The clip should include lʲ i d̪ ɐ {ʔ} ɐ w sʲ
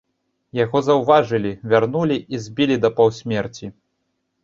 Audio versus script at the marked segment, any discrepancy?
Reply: yes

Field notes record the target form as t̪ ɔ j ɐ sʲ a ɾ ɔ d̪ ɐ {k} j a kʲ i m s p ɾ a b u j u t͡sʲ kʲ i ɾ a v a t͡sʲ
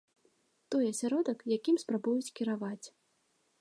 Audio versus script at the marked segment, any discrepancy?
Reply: no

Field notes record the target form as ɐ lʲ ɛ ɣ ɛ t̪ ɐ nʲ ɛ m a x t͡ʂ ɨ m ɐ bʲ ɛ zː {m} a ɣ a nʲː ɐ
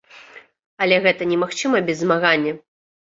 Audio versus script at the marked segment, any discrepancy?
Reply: no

